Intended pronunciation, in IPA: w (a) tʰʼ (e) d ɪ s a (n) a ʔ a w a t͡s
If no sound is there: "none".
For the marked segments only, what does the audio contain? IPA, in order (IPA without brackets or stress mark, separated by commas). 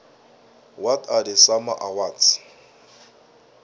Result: a, a, m